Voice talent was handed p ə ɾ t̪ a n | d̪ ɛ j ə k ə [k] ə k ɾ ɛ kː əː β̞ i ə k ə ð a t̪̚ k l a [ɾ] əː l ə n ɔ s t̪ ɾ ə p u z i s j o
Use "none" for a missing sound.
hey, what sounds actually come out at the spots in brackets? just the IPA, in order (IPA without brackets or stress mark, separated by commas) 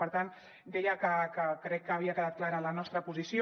k, ɾ